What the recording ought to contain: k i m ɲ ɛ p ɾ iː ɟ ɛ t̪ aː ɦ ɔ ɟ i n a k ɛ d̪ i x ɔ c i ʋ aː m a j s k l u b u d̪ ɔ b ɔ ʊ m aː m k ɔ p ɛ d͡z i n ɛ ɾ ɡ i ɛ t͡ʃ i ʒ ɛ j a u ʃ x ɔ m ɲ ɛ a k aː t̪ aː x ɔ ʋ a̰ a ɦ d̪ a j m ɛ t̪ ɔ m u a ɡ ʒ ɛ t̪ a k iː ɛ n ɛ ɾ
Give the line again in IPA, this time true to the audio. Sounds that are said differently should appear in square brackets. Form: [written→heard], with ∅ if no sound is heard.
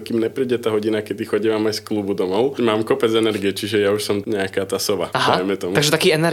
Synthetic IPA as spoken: k i m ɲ ɛ p ɾ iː ɟ ɛ t̪ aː ɦ ɔ ɟ i n a k ɛ d̪ i x ɔ [c→ɟ] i ʋ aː m a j s k l u b u d̪ ɔ [b→m] ɔ ʊ m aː m k ɔ p ɛ d͡z [i→ɛ] n ɛ ɾ ɡ i ɛ t͡ʃ i ʒ ɛ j a u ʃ [x→s] ɔ m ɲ ɛ a k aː t̪ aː [x→s] ɔ ʋ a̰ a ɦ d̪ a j m ɛ t̪ ɔ m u a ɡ ʒ ɛ t̪ a k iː ɛ n ɛ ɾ